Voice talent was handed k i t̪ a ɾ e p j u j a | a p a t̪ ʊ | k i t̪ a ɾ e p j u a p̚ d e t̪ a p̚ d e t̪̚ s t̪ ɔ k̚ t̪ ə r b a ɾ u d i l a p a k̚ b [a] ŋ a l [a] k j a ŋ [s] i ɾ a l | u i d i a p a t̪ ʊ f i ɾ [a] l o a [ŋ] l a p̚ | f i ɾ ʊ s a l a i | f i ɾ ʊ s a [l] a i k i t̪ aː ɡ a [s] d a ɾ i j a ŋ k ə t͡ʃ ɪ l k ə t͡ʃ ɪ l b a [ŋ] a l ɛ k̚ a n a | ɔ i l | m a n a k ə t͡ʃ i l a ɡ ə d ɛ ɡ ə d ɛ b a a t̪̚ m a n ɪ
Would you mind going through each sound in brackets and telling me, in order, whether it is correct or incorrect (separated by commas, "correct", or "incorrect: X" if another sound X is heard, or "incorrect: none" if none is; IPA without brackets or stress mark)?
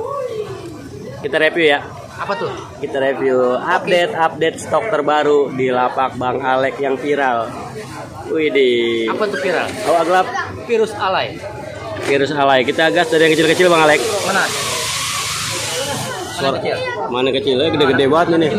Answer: correct, incorrect: ɛ, incorrect: f, correct, incorrect: ɡ, correct, correct, correct